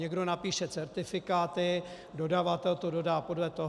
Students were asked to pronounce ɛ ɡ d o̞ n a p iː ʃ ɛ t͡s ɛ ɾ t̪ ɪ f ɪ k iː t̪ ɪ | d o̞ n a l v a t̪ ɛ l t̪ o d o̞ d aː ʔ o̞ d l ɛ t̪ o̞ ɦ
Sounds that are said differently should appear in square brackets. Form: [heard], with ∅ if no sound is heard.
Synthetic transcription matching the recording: ɛ ɡ d o̞ n a p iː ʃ ɛ t͡s ɛ ɾ t̪ ɪ f ɪ k [aː] t̪ ɪ | d o̞ [d] a [∅] v a t̪ ɛ l t̪ o d o̞ d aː [p] o̞ d l ɛ t̪ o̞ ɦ